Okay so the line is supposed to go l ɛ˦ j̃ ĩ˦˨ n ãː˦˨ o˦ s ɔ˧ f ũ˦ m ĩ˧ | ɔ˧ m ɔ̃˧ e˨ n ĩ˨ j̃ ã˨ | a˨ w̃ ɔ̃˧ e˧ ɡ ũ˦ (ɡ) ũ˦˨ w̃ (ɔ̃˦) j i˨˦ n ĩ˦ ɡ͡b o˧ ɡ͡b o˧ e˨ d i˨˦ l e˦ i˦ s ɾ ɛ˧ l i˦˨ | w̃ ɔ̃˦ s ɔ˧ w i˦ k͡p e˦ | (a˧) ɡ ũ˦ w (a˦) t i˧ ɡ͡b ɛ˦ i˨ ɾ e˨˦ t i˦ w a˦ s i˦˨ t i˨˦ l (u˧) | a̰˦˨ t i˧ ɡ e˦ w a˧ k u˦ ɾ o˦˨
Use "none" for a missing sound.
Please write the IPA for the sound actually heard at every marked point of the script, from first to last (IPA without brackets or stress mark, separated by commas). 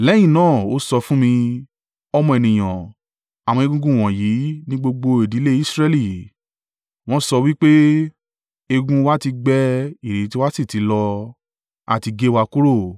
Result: ɡ, ɔ̃˨, e˧, a˦, ɔ˧